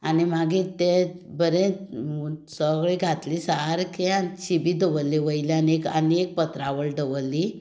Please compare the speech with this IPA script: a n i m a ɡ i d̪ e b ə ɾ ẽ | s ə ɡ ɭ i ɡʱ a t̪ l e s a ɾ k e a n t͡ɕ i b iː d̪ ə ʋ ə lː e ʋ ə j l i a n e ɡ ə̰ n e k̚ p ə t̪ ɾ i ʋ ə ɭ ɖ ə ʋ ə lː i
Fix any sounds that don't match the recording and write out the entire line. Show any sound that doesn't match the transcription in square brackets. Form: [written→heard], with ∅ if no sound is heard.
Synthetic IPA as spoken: a n i m a ɡ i [d̪→t̪] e b ə ɾ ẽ | s ə ɡ ɭ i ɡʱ a t̪ l [e→i] s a ɾ k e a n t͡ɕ i b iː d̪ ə ʋ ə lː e ʋ ə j l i a n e [ɡ→k] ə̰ n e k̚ p ə t̪ ɾ [i→a] ʋ ə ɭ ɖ ə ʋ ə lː i